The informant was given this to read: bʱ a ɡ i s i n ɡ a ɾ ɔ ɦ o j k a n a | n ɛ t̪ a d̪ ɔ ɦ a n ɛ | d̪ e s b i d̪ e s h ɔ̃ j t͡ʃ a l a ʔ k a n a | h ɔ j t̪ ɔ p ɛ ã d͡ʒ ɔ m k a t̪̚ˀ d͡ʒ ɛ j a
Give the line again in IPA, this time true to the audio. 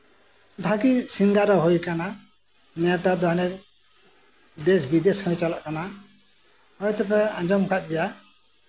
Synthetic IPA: bʱ a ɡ i s i ŋ ɡ a ɾ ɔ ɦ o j k a n a | n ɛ t̪ a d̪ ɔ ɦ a n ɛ | d̪ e s b i d̪ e s h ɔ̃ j t͡ʃ a l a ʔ k a n a | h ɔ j t̪ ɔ p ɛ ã d͡ʒ ɔ m k a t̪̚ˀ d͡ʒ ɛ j a